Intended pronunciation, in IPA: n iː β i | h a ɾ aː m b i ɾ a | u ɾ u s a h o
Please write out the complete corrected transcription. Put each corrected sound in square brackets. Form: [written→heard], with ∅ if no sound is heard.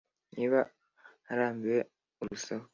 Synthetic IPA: n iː β [i→a] | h a ɾ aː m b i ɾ [a→e] | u ɾ u s a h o